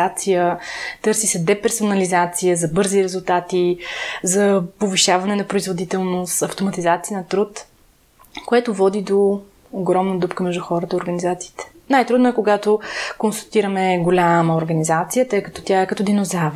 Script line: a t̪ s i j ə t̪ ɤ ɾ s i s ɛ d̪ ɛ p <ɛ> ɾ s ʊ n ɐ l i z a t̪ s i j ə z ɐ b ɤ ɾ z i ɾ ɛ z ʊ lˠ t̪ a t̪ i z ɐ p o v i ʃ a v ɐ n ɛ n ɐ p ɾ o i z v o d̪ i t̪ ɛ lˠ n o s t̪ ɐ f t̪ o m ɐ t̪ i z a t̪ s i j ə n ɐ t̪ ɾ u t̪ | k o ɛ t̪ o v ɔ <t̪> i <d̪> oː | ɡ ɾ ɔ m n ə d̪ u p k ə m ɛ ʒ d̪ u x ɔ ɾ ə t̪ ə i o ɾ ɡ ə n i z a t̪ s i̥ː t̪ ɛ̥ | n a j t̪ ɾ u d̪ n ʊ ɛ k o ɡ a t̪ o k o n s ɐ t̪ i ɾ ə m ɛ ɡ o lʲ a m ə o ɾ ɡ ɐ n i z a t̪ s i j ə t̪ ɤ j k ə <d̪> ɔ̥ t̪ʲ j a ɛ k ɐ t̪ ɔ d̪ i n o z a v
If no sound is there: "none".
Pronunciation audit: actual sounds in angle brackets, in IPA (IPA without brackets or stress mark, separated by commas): ɛ, d̪, d̪, t̪